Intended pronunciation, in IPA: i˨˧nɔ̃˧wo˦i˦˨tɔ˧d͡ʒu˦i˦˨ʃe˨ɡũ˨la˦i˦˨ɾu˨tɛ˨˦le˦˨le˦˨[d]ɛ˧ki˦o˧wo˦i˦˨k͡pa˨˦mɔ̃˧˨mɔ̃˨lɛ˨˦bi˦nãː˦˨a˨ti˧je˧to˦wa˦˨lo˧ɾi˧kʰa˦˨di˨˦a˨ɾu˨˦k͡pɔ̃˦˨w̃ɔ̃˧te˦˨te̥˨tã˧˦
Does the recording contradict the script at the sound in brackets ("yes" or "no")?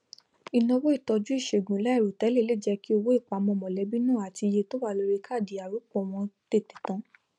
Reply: yes